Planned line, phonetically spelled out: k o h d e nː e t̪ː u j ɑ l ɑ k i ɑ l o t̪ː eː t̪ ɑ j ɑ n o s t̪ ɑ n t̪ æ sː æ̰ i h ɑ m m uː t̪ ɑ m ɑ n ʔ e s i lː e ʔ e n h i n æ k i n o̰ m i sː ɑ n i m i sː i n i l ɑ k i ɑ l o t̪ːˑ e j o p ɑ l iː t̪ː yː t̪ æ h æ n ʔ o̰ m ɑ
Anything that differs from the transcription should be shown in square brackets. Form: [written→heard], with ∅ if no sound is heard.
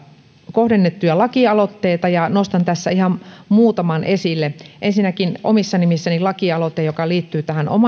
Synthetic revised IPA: k o h d e nː e t̪ː u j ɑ l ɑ k i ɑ l o t̪ː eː t̪ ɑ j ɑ n o s t̪ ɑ n t̪ æ sː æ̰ i h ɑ m m uː t̪ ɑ m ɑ n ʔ e s i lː e ʔ e n [h→s] i n æ k i n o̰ m i sː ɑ n i m i sː [i→æ] n i l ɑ k i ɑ l o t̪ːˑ e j o [p→k] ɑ l iː t̪ː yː t̪ æ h æ n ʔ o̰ m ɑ

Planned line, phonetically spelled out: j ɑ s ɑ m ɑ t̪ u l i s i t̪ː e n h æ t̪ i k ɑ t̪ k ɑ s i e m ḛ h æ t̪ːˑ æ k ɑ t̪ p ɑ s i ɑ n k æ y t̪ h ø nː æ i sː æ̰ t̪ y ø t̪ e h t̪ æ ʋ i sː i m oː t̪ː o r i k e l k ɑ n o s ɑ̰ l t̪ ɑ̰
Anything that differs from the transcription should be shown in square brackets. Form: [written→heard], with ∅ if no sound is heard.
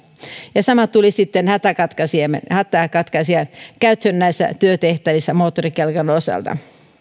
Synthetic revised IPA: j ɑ s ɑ m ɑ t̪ u l i s i t̪ː e n h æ t̪ [i→æ] k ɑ t̪ k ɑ s i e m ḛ h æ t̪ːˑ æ k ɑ t̪ [p→k] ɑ s i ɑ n k æ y t̪ h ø nː æ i sː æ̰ t̪ y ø t̪ e h t̪ æ ʋ i sː [i→æ] m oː t̪ː o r i k e l k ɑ n o s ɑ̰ l t̪ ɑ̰

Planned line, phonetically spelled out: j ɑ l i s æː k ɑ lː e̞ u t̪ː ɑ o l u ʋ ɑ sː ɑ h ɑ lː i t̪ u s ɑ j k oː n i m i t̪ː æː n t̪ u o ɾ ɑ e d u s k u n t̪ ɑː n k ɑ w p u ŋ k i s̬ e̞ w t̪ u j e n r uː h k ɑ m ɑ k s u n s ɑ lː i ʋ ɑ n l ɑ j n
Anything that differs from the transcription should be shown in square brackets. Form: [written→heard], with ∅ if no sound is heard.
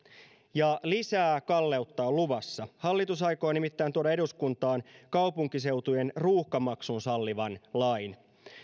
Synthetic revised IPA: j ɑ l i s æː k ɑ lː e̞ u t̪ː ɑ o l u ʋ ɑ sː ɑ h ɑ lː i t̪ u s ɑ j k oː n i m i t̪ː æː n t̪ u o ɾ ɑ e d u s k u n t̪ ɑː n k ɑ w p u ŋ k i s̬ e̞ w t̪ u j e n r uː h k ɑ m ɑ k s u n s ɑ lː i ʋ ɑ n l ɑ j n

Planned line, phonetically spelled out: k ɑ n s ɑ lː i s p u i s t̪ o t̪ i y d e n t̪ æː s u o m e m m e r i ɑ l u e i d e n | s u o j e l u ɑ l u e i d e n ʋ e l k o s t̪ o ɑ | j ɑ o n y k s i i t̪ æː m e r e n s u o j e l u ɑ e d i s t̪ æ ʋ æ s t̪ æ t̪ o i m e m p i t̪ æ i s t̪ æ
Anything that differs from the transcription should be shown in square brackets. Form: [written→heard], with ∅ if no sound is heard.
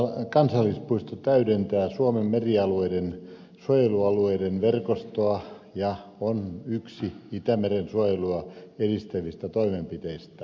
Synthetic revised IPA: k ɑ n s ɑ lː i s p u i s t̪ o t̪ [i→æ] y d e n t̪ æː s u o m e m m e r i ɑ l u e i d e n | s u o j e l u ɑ l u e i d e n ʋ e [l→r] k o s t̪ o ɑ | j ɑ o n y k s i i t̪ [æː→æ] m e r e n s u o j e l u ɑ e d i s t̪ æ ʋ [æ→i] s t̪ æ t̪ o i m e m p i t̪ [æ→e] i s t̪ æ

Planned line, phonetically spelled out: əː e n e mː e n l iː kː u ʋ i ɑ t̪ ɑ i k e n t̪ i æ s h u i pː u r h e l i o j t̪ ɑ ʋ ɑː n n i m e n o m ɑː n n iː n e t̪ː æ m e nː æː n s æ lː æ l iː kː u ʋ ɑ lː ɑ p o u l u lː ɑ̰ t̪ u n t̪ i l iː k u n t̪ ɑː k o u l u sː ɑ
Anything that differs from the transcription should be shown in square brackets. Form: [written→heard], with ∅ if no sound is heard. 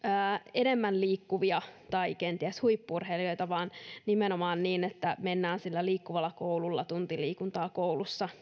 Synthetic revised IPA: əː e n e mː [e→æ] n l iː kː u ʋ i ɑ t̪ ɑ i k e n t̪ i æ s h u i pː u r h e l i o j t̪ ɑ ʋ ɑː n n i m e n o m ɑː n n iː n e t̪ː æ m e nː æː n s [æ→i] lː æ l iː kː u ʋ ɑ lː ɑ [p→k] o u l u lː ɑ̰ t̪ u n t̪ i l iː k u n t̪ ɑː k o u l u sː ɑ

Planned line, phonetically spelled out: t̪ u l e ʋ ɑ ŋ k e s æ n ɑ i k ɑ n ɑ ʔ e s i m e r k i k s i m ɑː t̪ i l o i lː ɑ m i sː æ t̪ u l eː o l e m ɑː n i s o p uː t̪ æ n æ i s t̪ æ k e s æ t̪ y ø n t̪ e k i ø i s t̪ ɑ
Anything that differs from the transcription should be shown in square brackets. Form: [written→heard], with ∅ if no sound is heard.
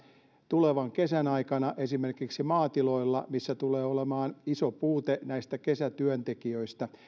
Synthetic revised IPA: t̪ u l e ʋ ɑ ŋ k e s æ n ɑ i k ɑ n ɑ ʔ e s i m e r k i k s i m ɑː t̪ i l o i lː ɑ m i sː æ t̪ u l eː o l e m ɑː n i s o p uː t̪ [æ→e] n æ i s t̪ æ k e s æ t̪ y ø n t̪ e k i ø i s t̪ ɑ

